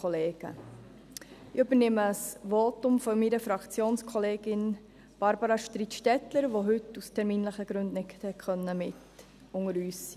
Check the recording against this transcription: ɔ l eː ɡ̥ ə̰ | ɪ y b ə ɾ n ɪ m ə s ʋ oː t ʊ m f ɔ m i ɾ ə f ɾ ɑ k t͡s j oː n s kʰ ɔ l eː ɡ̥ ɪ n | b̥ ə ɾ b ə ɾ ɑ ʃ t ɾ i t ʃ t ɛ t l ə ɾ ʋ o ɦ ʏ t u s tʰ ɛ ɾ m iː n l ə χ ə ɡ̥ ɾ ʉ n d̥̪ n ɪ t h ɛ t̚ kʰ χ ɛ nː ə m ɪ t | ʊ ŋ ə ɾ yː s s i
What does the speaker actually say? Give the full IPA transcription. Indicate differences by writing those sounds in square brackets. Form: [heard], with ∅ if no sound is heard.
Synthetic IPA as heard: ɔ l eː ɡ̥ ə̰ | ɪ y b ə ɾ n ɪ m ə s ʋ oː t ʊ m f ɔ m i ɾ ə f ɾ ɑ k t͡s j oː n s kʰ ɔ l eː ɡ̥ ɪ n | b̥ [ɑ] ɾ b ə ɾ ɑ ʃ t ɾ i t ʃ t ɛ t l ə ɾ ʋ o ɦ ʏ t u s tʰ ɛ ɾ m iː n l ə χ ə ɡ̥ ɾ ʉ n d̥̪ n ɪ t h ɛ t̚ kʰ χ [œ] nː ə m ɪ t | ʊ ŋ ə ɾ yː s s i

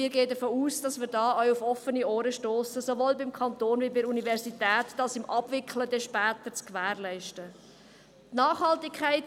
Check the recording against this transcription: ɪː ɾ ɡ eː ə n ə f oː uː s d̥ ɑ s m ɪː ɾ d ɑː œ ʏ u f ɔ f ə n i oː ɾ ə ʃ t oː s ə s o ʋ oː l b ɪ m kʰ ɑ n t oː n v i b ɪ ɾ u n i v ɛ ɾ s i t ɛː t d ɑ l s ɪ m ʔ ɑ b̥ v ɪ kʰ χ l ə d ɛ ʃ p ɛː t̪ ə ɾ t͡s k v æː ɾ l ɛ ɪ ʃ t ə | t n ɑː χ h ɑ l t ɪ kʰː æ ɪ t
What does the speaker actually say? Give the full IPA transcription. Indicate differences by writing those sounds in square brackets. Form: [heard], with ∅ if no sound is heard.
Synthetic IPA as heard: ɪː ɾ ɡ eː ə [d] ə f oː uː s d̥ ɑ s m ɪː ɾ d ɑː œ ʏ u f ɔ f ə n i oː ɾ ə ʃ t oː s ə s o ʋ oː l b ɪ m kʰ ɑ n t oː n v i b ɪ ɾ u n i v ɛ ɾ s i t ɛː t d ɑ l s ɪ m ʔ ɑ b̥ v ɪ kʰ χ l ə d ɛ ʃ p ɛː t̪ ə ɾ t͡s k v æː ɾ l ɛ ɪ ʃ t ə | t n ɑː χ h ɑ l t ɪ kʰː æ ɪ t

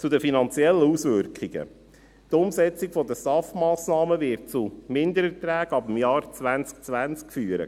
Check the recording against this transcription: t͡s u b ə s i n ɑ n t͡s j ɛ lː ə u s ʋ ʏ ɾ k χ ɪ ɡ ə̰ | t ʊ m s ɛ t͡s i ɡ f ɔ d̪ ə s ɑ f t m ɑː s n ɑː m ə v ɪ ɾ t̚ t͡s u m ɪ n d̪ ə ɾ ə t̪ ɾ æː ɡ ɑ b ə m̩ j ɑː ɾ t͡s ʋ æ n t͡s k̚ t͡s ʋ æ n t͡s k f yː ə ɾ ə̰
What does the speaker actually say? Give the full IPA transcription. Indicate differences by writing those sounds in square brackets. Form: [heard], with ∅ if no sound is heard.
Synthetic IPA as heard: t͡s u [d] ə [f] i n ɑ n t͡s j ɛ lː ə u s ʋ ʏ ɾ k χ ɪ ɡ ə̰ | t ʊ m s ɛ t͡s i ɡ f ɔ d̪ ə s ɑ f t m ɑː s n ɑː m ə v ɪ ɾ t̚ t͡s u m ɪ n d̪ ə ɾ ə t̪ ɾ æː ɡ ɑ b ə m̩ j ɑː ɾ t͡s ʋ æ n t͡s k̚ t͡s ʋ æ n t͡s k f yː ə ɾ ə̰

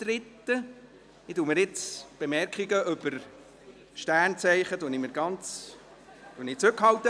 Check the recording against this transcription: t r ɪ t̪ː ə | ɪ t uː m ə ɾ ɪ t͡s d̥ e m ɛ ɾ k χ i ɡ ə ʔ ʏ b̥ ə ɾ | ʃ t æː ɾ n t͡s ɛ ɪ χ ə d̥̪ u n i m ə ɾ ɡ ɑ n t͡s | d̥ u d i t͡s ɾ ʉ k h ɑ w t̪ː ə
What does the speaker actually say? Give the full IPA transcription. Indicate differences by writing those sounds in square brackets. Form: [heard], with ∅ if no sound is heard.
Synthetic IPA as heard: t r ɪ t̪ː ə | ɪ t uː m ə ɾ ɪ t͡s [b̥] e m ɛ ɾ k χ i ɡ ə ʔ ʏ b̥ ə ɾ | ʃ t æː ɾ n t͡s ɛ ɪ χ ə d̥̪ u n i m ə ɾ ɡ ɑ n t͡s | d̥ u [n] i t͡s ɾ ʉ k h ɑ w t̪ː ə

